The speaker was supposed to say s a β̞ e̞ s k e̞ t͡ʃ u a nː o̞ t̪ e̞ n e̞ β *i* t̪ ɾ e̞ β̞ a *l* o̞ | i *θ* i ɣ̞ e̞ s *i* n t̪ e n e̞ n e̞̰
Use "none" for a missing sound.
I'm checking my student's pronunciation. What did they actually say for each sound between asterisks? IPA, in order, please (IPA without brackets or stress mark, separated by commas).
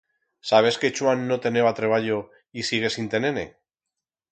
a, ʎ, s, i